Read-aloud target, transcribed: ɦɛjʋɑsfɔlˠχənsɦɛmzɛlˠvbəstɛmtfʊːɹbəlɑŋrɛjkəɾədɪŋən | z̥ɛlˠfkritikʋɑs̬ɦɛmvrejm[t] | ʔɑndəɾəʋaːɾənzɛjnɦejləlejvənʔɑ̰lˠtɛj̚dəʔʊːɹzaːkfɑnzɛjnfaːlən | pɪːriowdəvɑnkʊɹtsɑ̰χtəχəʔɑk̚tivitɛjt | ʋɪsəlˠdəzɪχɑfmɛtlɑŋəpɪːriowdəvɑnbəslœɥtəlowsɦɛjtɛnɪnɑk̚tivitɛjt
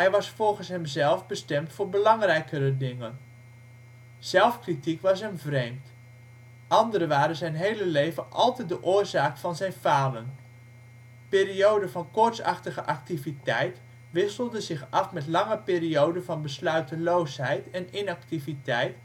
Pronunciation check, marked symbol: correct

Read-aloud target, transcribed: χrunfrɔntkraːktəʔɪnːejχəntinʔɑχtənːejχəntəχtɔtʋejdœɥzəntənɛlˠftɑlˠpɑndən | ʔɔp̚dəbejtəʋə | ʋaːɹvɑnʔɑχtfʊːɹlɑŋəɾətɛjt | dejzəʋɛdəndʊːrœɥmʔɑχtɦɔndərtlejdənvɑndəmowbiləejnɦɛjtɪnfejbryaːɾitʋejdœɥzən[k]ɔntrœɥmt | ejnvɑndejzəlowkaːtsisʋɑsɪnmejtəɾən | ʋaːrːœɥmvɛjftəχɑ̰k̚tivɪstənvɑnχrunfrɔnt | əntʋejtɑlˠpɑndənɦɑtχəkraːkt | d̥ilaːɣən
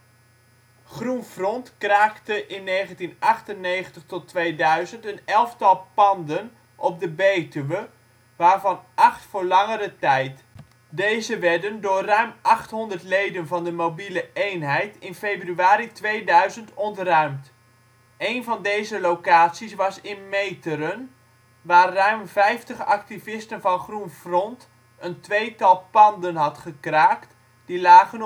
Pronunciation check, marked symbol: incorrect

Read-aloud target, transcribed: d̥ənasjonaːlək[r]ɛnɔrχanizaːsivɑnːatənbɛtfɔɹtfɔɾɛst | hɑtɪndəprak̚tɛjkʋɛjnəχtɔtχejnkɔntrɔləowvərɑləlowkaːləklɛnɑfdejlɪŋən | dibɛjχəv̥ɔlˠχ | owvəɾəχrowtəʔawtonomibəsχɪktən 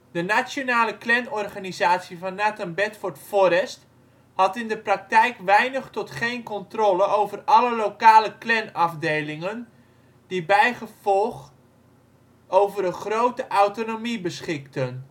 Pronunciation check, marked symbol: incorrect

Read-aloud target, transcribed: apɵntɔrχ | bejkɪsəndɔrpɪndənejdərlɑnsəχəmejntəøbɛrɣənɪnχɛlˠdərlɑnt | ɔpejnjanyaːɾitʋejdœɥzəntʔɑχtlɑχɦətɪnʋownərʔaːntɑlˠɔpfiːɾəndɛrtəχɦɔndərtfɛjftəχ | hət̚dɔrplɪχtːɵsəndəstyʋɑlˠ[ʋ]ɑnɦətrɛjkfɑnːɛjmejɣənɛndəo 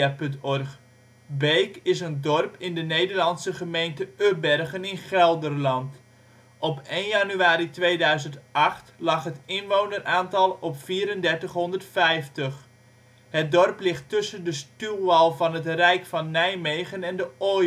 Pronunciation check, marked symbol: incorrect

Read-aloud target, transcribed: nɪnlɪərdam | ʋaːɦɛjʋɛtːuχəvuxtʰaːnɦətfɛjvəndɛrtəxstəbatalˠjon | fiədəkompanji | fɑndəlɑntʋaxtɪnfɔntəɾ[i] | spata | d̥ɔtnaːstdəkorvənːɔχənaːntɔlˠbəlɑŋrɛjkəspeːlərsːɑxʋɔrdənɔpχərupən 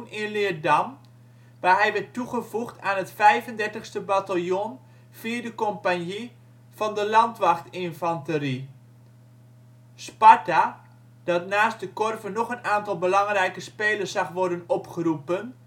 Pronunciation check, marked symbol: correct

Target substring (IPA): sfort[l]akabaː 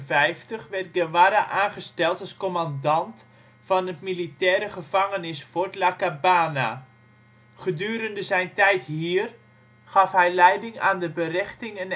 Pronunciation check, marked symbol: correct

